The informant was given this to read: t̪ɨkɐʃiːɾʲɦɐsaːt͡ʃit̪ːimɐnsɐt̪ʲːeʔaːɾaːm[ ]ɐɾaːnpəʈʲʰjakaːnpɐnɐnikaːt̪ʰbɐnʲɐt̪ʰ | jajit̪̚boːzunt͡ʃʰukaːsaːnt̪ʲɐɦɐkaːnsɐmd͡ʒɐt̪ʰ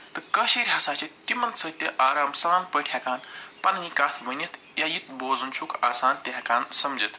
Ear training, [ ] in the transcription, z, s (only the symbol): s